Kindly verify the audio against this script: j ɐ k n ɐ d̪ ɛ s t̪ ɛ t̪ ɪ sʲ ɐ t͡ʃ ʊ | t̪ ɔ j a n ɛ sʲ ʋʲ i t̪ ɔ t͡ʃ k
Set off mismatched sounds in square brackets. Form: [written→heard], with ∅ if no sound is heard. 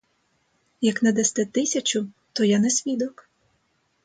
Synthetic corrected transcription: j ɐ k n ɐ d̪ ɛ s t̪ ɛ t̪ ɪ sʲ ɐ t͡ʃ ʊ | t̪ ɔ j a n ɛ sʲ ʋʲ i [t̪→d̪] ɔ [t͡ʃ→∅] k